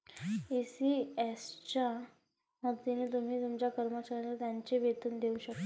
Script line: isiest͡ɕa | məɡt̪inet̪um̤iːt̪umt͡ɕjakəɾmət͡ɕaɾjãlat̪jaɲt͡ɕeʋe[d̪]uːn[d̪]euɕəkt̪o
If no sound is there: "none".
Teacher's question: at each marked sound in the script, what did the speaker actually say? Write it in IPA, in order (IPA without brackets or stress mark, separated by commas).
t̪, d̪